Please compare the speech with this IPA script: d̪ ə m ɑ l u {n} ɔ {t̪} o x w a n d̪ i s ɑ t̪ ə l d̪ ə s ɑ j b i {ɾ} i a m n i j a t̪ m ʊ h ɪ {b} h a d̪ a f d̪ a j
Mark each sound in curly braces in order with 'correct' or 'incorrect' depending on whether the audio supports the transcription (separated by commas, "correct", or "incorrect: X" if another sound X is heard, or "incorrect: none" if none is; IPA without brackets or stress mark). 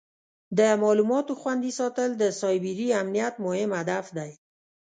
incorrect: m, correct, correct, incorrect: m